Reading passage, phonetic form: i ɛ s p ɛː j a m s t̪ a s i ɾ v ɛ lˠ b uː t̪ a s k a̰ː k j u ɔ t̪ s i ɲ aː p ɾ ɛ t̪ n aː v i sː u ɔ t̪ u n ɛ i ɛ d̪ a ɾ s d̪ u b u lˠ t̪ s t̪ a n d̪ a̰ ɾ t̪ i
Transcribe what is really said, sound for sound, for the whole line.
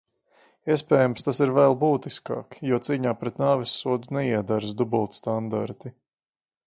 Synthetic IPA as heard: i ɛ s p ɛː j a m s t̪ a s i ɾ v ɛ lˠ b uː t̪ i s k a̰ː k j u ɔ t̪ s iː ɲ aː p ɾ ɛ t̪ n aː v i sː u ɔ d̪ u n ɛ i ɛ d̪ a ɾ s d̪ u b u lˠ t̪ s t̪ a n d̪ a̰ ɾ t̪ i